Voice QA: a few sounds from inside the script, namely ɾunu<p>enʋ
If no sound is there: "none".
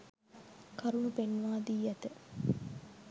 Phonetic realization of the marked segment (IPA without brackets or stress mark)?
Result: p